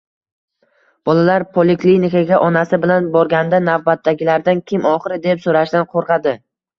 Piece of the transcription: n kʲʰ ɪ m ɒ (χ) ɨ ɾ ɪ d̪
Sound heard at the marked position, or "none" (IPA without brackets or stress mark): χ